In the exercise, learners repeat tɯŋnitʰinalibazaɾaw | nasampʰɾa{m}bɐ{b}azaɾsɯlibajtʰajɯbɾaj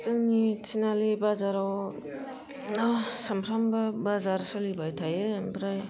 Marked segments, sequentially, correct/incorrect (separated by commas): correct, correct